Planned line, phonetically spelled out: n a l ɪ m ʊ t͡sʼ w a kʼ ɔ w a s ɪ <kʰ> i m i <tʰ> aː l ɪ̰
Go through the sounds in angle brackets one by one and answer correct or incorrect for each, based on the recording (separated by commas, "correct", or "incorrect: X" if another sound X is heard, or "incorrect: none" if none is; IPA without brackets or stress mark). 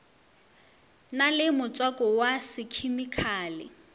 correct, incorrect: kʰ